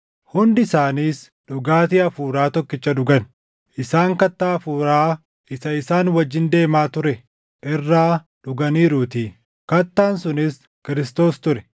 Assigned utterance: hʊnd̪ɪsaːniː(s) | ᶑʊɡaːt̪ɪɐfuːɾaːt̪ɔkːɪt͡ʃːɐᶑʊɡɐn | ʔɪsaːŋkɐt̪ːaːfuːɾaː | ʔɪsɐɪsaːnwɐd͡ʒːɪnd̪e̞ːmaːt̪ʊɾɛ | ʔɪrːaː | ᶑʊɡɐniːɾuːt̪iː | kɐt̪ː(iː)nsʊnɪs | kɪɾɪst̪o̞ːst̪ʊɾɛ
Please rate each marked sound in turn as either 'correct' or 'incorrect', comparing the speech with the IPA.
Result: correct, incorrect: aː

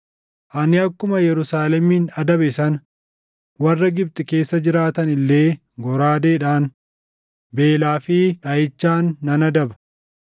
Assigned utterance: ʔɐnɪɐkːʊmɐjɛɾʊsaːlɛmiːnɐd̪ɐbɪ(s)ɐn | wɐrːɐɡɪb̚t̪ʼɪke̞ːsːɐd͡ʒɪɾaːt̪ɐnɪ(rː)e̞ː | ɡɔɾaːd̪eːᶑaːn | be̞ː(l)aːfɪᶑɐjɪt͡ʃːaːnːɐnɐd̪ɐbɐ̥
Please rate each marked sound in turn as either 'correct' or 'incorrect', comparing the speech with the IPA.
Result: correct, incorrect: lː, correct

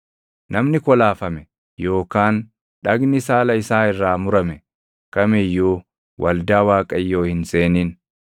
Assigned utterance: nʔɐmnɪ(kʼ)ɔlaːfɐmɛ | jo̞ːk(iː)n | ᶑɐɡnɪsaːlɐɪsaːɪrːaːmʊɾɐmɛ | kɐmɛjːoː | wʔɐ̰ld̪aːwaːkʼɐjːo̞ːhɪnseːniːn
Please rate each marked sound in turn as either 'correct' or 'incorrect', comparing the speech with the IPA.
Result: incorrect: k, incorrect: aː

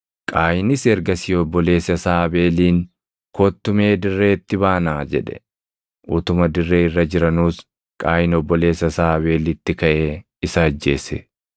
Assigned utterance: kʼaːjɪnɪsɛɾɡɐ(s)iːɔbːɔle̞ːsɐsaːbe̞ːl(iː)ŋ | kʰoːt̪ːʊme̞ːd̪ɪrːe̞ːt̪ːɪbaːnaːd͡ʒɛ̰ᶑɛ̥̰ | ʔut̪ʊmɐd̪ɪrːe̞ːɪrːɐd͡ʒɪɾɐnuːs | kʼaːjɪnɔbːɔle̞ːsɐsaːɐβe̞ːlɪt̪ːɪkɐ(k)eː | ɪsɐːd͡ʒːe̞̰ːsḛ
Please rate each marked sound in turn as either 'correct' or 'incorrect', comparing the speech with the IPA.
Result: correct, correct, incorrect: ʔ

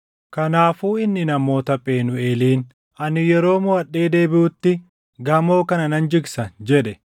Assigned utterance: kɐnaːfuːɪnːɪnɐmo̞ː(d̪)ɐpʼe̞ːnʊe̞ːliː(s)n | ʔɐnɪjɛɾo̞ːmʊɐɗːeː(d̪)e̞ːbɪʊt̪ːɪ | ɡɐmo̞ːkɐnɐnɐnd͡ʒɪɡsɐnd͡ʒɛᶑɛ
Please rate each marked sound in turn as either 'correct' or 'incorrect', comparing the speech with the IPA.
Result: incorrect: t̪, incorrect: none, correct

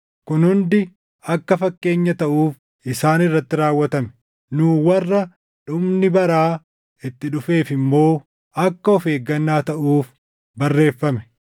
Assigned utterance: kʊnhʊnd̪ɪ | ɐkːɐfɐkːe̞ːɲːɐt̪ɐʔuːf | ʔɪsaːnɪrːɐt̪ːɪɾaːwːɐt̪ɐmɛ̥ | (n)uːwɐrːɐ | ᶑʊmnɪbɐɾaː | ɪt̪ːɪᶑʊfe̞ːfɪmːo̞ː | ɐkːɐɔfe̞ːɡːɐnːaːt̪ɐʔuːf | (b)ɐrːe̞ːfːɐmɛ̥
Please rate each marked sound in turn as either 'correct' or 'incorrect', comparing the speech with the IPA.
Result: correct, correct

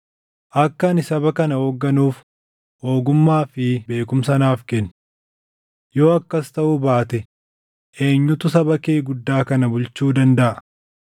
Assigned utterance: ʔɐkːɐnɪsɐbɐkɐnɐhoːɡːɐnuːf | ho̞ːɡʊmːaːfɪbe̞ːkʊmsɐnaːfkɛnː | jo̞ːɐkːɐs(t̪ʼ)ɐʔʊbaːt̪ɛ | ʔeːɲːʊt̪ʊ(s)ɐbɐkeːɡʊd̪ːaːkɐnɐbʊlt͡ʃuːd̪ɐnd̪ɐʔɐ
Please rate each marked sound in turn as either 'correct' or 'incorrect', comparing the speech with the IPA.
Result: incorrect: t̪, correct

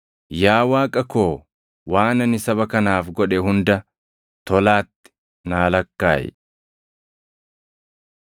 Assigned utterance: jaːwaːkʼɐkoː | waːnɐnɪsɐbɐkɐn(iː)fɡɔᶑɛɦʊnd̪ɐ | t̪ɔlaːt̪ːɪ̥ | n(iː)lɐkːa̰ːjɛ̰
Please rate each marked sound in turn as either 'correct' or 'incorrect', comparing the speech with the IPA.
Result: incorrect: aː, incorrect: aː

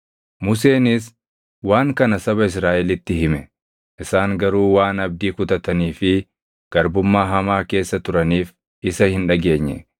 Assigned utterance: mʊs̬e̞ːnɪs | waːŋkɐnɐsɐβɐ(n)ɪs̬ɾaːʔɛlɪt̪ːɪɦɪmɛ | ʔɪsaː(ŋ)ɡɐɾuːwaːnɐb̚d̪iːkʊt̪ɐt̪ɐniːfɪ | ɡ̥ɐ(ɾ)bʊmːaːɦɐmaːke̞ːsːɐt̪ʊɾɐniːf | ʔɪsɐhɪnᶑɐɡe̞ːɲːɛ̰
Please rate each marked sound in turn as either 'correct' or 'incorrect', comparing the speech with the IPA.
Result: incorrect: none, correct, correct

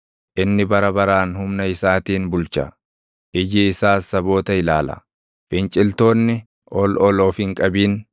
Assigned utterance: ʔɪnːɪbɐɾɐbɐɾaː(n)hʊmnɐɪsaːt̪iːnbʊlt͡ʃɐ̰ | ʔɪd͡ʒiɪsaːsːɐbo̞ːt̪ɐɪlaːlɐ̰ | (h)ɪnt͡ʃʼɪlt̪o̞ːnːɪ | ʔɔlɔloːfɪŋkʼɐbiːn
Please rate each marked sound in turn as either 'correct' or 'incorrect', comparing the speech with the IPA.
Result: correct, incorrect: f

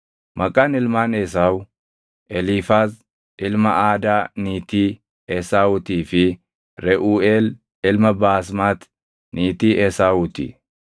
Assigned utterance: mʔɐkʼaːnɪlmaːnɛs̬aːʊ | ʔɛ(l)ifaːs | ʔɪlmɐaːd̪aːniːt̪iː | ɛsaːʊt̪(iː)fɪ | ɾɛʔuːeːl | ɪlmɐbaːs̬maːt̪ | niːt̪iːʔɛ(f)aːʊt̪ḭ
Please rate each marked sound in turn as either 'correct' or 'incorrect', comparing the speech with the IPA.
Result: correct, correct, incorrect: s

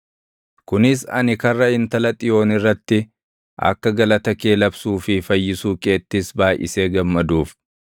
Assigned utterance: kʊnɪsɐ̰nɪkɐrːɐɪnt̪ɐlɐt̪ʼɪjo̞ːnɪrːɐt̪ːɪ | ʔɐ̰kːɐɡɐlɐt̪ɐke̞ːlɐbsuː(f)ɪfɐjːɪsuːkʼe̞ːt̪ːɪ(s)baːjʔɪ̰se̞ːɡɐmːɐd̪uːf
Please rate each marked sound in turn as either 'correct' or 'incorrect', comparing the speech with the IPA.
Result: correct, correct

